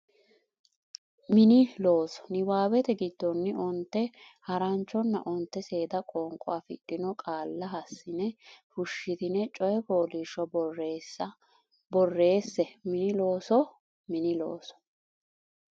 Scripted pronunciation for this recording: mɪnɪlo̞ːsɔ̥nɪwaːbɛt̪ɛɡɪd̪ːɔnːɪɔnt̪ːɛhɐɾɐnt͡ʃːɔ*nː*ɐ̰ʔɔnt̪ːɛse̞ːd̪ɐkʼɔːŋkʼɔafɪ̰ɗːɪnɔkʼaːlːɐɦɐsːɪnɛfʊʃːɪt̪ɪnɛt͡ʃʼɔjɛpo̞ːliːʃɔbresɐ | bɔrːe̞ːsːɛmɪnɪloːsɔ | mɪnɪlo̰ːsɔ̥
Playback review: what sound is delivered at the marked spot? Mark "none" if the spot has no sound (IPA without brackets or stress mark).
nː